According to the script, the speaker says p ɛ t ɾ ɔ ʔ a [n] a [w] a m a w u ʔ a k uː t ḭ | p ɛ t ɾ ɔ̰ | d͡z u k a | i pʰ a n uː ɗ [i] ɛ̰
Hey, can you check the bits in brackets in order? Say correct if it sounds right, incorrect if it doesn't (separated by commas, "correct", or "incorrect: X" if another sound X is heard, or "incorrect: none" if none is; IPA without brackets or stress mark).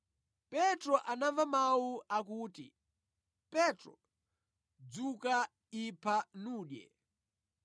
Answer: correct, incorrect: v, incorrect: j